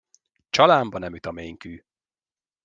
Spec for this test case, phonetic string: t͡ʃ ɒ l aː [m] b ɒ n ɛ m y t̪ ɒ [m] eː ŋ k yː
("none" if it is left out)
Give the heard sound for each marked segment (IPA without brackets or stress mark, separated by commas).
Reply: m, m